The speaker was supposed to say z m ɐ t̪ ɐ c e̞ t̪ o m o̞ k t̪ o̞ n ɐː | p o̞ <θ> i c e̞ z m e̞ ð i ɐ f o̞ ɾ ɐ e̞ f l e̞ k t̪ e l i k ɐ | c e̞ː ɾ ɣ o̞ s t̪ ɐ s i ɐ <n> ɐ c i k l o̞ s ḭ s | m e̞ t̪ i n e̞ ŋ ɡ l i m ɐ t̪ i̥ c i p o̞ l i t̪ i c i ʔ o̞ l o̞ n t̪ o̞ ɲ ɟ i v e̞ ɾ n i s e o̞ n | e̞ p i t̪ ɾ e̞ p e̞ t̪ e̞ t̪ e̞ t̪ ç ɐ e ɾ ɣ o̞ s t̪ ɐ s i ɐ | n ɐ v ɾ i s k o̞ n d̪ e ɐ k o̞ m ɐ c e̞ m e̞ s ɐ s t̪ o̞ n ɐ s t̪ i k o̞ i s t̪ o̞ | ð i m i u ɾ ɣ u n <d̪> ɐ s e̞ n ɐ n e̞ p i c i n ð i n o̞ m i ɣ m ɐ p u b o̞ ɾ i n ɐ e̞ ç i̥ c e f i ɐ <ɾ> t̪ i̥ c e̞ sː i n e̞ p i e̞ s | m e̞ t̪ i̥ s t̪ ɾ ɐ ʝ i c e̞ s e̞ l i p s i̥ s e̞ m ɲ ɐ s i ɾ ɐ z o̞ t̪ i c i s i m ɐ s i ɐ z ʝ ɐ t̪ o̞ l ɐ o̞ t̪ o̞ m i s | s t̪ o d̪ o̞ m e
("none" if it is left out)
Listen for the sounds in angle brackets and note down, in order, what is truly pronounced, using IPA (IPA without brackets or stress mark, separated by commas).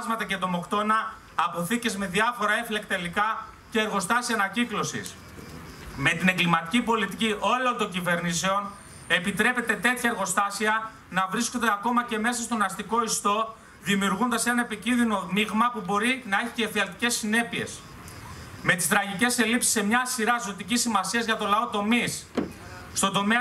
θ, n, d̪, l